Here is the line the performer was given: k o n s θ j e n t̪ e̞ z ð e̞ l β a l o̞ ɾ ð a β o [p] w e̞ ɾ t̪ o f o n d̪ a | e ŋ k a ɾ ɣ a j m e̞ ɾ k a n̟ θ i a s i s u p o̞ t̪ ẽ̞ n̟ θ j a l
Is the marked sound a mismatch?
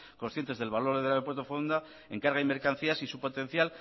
no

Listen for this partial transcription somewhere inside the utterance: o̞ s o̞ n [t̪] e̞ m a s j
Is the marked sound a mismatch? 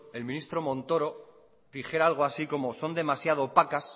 yes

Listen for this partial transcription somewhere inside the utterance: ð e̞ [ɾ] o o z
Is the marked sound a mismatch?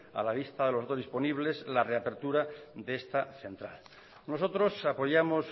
yes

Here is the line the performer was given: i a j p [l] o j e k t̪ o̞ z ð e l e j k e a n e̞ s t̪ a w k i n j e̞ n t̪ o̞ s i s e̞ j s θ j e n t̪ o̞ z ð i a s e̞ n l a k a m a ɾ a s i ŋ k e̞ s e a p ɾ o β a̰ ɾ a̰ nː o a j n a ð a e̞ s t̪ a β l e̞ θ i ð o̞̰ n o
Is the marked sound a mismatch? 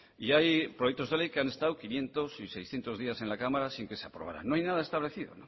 yes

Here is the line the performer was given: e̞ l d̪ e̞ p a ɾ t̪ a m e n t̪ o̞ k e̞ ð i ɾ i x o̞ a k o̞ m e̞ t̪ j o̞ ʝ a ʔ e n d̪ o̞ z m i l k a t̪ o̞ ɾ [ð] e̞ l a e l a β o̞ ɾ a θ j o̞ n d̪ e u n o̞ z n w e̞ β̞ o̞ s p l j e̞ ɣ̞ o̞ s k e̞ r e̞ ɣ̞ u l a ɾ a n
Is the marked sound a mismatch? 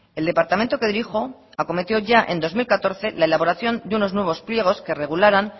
yes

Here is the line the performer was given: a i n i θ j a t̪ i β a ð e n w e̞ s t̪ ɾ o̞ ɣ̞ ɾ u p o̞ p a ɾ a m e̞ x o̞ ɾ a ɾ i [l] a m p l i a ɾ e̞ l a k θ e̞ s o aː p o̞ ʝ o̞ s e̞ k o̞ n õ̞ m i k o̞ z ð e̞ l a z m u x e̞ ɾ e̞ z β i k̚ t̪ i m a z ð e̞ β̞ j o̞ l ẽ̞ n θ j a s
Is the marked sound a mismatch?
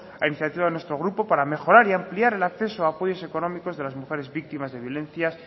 yes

